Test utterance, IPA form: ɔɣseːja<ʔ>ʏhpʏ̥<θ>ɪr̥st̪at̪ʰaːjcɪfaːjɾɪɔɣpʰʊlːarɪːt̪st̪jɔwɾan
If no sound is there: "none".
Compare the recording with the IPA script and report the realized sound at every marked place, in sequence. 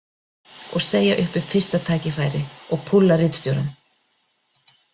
ʔ, f

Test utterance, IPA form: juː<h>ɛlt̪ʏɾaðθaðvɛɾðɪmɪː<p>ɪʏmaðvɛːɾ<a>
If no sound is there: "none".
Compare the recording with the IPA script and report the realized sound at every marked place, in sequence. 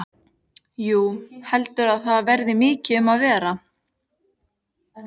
h, c, a

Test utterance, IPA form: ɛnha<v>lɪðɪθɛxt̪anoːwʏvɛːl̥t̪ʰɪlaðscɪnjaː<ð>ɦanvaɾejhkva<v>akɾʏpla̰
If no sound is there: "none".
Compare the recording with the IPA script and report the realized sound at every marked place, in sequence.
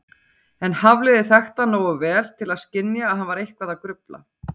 v, ð, ð

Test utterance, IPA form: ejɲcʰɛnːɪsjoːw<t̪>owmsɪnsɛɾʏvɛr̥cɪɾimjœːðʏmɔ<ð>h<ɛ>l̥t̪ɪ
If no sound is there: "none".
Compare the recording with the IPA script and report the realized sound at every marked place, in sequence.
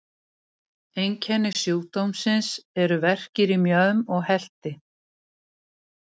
t̪, ɣ, ɛ

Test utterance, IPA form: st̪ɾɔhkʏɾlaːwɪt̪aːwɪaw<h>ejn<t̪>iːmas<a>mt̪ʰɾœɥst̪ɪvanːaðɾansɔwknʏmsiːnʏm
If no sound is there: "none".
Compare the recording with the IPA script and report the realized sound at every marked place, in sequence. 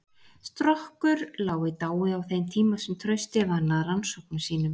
θ, t̪ʰ, ɛ

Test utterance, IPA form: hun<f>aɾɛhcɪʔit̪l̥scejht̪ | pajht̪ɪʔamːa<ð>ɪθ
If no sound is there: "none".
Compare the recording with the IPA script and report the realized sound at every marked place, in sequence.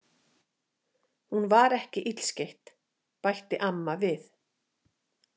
v, v

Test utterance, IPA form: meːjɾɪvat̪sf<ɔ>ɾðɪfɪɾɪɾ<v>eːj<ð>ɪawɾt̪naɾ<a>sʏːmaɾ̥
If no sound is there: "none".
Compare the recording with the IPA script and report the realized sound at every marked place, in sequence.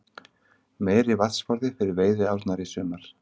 ɔ, v, ð, i

